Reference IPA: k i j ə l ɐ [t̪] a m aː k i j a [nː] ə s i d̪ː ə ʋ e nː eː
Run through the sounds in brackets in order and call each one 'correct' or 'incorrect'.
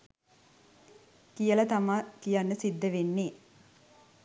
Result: correct, correct

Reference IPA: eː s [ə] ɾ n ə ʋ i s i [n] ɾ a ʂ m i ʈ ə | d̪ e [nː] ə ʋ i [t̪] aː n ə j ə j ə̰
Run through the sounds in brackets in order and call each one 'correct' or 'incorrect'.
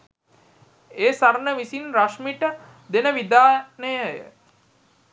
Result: incorrect: a, correct, incorrect: n, incorrect: d̪

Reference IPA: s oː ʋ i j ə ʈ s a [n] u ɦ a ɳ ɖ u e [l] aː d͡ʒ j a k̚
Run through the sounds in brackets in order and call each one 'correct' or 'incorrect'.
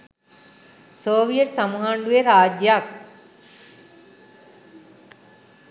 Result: incorrect: m, incorrect: ɾ

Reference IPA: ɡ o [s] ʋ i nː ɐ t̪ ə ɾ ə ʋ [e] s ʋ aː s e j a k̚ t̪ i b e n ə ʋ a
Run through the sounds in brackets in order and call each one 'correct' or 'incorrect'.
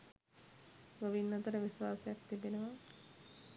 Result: incorrect: none, incorrect: i

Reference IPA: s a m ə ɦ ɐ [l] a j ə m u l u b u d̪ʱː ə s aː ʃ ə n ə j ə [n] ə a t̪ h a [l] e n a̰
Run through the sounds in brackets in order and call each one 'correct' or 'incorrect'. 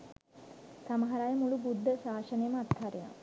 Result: incorrect: ɾ, incorrect: m, incorrect: ɾ

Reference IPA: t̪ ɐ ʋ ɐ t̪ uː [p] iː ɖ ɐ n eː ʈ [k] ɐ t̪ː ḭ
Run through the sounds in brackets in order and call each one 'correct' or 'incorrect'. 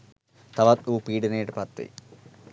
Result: correct, incorrect: p

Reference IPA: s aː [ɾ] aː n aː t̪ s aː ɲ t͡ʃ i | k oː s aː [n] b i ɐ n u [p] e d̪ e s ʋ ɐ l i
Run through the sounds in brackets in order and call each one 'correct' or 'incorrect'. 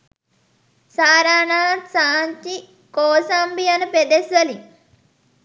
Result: correct, incorrect: m, correct

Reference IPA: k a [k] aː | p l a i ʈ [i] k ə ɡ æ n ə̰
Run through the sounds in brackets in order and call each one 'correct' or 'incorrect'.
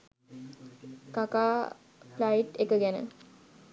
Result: correct, incorrect: e

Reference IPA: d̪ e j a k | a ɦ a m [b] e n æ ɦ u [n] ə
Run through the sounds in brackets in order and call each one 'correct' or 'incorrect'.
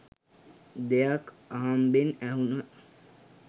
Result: correct, correct

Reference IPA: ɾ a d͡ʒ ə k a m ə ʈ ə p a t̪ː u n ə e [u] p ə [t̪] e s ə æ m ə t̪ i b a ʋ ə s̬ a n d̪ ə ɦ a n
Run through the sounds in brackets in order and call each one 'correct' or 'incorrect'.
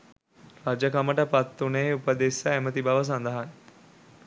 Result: correct, incorrect: d̪

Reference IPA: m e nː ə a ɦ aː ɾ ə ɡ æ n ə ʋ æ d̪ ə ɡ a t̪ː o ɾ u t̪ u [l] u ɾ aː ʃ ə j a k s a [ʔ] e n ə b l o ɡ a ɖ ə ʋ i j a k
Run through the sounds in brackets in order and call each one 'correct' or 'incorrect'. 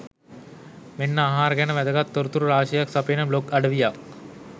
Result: incorrect: ɾ, incorrect: p

